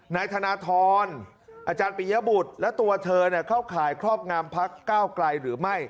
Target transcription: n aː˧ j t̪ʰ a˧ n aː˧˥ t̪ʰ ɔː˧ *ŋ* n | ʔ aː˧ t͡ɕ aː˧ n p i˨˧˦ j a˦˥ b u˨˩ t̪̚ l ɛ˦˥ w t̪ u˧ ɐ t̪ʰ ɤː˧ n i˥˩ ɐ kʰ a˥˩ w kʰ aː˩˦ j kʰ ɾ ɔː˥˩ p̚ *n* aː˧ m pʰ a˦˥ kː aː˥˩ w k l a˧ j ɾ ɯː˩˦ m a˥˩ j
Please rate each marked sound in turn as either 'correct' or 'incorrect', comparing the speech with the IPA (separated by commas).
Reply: incorrect, incorrect